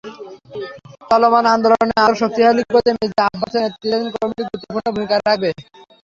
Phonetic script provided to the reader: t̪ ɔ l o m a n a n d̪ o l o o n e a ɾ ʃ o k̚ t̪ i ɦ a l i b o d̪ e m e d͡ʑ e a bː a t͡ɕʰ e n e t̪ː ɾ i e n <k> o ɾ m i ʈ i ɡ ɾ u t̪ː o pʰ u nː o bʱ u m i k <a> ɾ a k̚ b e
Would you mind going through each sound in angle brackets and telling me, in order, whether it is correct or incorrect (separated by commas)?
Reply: correct, correct